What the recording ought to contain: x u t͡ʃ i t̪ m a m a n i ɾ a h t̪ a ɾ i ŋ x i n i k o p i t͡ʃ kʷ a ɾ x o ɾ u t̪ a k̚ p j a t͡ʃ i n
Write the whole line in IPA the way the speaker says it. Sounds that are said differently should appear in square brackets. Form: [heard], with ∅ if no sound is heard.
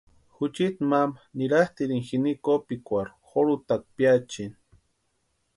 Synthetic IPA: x u t͡ʃ i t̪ m a m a n i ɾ a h t̪ [i] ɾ i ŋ x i n i k o p i [∅] kʷ a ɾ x o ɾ u t̪ a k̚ p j a t͡ʃ i n

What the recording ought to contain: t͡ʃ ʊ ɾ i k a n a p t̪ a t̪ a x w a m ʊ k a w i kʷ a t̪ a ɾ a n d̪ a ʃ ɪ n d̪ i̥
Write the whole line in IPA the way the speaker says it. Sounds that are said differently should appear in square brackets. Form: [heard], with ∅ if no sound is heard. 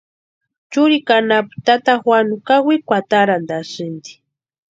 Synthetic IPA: t͡ʃ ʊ ɾ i k a n a p t̪ a t̪ a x w a [n] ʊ k a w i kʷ a t̪ a ɾ a n d̪ a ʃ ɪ n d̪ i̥

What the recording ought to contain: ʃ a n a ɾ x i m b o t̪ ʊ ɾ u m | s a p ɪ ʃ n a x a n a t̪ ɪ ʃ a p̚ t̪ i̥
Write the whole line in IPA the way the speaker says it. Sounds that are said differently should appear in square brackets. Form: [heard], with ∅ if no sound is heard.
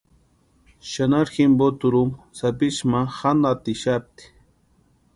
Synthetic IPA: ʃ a n a ɾ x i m b o t̪ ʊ ɾ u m | s a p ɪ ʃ [m] a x a n a t̪ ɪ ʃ a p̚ t̪ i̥

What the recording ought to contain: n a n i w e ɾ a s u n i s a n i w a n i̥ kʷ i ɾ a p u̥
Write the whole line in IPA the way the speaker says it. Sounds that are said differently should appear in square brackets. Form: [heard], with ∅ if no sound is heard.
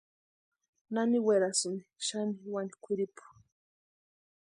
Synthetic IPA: n a n i w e ɾ a s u n i [ʃ] a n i w a n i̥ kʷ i ɾ [i] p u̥

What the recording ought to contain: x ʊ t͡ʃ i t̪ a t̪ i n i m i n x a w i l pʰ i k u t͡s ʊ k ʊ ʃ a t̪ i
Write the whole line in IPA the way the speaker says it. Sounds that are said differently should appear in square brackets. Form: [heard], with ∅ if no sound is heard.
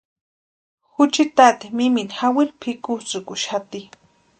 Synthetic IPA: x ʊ t͡ʃ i t̪ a t̪ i [m] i m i n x a w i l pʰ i k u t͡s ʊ k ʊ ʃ a t̪ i

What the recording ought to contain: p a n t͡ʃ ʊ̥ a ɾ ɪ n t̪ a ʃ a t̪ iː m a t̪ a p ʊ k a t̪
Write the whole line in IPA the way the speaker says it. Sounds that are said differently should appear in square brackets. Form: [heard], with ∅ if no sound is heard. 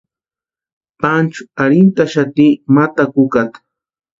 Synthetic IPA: p a n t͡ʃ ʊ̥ a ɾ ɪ n t̪ a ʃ a t̪ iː m a t̪ a [k] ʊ k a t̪

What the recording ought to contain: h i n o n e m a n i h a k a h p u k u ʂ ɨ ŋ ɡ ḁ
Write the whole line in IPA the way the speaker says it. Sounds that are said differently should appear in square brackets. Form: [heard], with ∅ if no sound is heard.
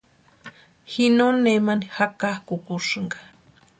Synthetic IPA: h i n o n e m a n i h a k a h [k] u k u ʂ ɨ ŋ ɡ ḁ

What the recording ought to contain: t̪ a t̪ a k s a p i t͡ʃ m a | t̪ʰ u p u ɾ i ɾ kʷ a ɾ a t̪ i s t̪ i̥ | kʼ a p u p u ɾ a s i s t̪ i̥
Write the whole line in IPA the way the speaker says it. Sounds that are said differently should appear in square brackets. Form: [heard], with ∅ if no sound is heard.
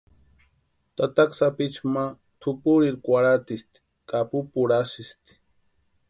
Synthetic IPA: t̪ a t̪ a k s a p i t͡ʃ m a | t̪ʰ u p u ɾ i ɾ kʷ a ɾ a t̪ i s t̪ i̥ | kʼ a p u p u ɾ a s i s t̪ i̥

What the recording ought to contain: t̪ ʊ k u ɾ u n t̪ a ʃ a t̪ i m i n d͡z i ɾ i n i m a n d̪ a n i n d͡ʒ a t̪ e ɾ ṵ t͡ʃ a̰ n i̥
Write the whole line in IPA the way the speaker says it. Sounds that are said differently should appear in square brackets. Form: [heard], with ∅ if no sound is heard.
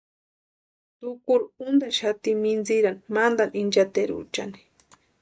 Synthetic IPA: t̪ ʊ k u ɾ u n [d̪] a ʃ a t̪ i m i n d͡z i ɾ [a] n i m a n d̪ a n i n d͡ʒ a t̪ e ɾ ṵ t͡ʃ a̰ n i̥

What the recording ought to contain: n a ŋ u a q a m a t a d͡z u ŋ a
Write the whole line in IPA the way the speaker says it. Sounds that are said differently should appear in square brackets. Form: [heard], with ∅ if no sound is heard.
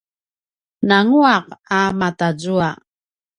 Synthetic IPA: n a ŋ u a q a m a t a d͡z u [∅] a

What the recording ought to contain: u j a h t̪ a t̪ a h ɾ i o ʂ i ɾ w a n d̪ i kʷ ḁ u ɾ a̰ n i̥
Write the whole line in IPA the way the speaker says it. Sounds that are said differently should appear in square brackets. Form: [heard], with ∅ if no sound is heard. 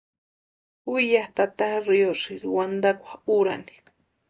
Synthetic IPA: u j a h t̪ a t̪ a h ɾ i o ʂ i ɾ w a n d̪ [a] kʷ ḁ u ɾ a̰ n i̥

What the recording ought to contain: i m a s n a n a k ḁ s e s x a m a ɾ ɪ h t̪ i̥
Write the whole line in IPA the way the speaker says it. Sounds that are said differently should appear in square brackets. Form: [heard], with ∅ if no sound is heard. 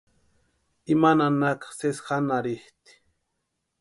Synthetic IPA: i m a [∅] n a n a k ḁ s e s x a [n] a ɾ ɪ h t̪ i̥

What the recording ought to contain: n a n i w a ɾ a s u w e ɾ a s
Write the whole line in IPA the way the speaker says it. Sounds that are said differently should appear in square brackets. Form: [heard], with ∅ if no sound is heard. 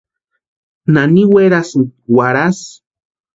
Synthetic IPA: n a n i w [e] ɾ a s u w [a] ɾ a s

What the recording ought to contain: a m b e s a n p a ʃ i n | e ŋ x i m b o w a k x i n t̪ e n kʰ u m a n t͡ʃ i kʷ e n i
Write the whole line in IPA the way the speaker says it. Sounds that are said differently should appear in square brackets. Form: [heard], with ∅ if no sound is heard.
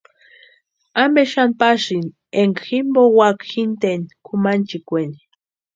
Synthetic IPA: a m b e [ʃ] a n p a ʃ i n | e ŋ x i m b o w a k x i n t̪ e n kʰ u m a n t͡ʃ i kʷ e n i

